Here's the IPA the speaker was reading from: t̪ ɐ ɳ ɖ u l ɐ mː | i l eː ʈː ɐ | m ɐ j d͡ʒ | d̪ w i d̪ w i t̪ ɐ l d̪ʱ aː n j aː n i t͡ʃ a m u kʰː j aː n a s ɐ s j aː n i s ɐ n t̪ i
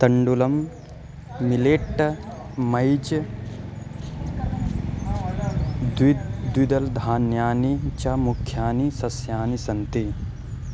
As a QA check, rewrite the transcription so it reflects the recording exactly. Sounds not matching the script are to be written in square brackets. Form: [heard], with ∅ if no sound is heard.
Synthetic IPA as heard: t̪ ɐ ɳ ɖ u l ɐ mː | i l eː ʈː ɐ | m ɐ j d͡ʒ | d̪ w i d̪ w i [d̪] ɐ l d̪ʱ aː n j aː n i t͡ʃ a m u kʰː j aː n [i] s ɐ s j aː n i s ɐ n t̪ i